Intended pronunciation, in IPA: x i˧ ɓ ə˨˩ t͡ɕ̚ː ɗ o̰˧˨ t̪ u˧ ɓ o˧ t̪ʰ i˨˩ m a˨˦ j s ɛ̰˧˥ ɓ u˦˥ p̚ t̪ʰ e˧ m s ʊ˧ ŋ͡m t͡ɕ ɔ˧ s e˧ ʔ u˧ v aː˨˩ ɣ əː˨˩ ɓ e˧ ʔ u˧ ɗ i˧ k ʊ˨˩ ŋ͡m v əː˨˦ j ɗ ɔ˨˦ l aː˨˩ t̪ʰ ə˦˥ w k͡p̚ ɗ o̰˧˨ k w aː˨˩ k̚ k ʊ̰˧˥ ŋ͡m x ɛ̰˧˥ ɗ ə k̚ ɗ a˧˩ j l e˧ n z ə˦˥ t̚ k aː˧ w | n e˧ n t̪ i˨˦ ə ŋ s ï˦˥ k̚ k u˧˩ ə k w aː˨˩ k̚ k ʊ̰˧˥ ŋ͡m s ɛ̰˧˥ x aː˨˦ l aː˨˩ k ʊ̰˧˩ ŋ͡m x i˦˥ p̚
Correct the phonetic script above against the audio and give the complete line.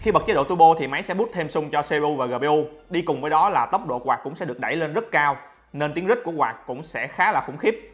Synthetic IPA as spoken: x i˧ ɓ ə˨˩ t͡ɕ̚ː ɗ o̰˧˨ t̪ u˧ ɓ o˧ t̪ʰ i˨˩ m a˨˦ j s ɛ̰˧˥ ɓ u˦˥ t̚ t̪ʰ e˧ m s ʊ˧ ŋ͡m t͡ɕ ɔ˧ s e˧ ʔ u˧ v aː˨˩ ɣ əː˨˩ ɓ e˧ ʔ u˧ ɗ i˧ k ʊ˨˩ ŋ͡m v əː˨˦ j ɗ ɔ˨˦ l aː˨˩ t̪ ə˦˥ w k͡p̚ ɗ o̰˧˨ k w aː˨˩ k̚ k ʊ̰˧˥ ŋ͡m s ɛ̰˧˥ ɗ ə k̚ ɗ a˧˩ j l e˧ n z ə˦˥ t̚ k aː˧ w | n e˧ n t̪ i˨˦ ə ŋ z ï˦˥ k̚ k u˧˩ ə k w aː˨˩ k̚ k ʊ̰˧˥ ŋ͡m s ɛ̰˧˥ x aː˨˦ l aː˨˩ x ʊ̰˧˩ ŋ͡m x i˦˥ p̚

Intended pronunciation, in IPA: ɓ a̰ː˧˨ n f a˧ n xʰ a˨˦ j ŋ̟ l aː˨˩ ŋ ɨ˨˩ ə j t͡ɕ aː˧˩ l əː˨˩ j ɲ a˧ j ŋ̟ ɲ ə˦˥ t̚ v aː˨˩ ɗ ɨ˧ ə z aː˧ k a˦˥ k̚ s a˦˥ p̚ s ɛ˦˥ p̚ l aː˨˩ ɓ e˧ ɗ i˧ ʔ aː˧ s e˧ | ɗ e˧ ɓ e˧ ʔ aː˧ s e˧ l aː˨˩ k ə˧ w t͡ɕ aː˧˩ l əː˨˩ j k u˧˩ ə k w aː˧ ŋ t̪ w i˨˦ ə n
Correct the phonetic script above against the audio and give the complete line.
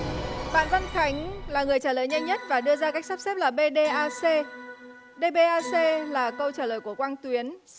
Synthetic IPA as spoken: ɓ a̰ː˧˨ n v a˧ n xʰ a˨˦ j ŋ̟ l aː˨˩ ŋ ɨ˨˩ ə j t͡ɕ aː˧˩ l əː˨˩ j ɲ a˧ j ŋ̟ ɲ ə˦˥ t̚ v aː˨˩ ɗ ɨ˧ ə z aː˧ k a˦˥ k̚ s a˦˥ p̚ s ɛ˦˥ p̚ l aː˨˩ ɓ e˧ ɗ e˧ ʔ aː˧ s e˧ | ɗ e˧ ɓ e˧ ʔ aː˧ s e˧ l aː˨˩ k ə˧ w t͡ɕ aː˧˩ l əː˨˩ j k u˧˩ ə k w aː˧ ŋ t̪ w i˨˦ ə n

